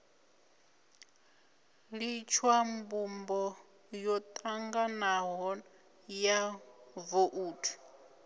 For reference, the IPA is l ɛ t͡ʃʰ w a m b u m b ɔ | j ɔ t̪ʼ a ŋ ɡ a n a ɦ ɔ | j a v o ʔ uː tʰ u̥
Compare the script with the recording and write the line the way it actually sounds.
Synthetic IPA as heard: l i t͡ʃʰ w a m b u m b ɔ | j ɔ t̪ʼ a ŋ ɡ a n a ɦ ɔ | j a v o ʔ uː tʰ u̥